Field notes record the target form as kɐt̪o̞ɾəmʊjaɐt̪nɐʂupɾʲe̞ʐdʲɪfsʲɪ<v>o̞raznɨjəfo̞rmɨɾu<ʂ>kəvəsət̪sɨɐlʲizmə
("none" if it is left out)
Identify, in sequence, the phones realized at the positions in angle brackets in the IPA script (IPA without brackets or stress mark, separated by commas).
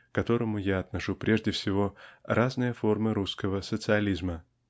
v, s